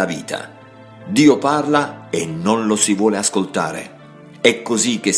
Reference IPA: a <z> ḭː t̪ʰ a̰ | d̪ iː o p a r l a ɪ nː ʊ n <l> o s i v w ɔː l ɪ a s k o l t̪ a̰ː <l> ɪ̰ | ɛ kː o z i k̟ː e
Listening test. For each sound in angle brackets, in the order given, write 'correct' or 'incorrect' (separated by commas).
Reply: incorrect, correct, incorrect